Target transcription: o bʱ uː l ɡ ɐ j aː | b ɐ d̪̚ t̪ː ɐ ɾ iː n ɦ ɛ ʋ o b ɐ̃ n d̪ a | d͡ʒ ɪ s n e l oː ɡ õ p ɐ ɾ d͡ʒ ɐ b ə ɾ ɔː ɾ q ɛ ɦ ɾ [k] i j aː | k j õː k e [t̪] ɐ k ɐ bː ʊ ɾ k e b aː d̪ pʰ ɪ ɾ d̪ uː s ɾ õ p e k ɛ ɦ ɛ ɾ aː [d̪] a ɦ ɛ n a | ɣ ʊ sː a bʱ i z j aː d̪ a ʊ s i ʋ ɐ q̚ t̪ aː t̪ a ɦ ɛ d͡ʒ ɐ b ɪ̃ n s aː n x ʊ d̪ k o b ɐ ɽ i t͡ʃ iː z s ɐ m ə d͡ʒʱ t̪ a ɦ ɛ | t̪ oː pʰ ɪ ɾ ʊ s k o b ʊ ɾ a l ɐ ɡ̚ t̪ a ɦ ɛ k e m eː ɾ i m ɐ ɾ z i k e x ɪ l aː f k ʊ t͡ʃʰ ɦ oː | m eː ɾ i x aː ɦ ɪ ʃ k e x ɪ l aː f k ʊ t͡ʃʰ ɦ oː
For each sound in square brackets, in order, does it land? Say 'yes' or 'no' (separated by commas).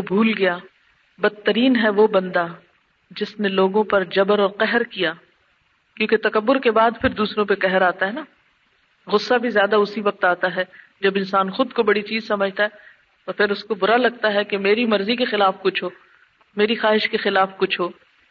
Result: yes, yes, no